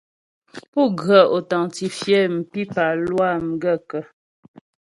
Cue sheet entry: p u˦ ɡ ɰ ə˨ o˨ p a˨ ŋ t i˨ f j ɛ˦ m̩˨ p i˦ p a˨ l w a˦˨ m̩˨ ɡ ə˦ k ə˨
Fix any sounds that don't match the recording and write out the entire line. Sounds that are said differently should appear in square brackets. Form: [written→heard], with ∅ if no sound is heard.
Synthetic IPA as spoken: p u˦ ɡ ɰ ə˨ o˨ [p→t] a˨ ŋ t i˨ f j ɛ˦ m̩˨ p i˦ p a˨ l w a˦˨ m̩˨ ɡ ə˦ k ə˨